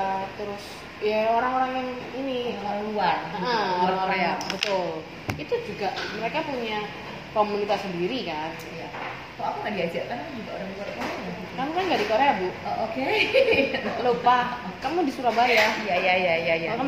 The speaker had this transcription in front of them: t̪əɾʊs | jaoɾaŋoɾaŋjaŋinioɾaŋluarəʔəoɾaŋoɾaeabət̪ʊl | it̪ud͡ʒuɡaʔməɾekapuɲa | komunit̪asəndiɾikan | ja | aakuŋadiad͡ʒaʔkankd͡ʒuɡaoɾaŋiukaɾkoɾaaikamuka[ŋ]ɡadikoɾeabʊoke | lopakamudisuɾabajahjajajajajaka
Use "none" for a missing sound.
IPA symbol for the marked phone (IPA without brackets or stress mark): n